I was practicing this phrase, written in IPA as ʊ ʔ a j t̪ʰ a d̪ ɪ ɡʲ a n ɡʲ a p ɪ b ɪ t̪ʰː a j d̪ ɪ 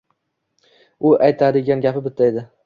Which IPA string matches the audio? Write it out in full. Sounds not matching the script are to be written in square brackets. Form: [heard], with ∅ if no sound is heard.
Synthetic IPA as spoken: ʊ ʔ a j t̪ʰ a d̪ ɪ ɡʲ a n ɡʲ a p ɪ b ɪ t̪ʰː a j d̪ ɪ